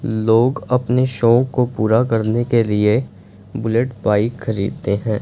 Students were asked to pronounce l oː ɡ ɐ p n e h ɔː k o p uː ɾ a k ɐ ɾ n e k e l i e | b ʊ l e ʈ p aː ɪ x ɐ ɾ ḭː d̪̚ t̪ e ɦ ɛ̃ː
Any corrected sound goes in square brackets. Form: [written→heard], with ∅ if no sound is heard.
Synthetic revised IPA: l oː ɡ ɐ p n e [h→ʃ] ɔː k o p uː ɾ a k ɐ ɾ n e k e l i e | b ʊ l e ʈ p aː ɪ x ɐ ɾ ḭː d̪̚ t̪ e ɦ ɛ̃ː